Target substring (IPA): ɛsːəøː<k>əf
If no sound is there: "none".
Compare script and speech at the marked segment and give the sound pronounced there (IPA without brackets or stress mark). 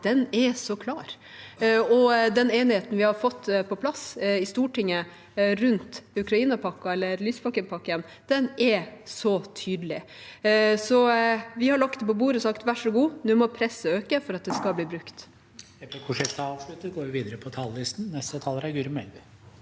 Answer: k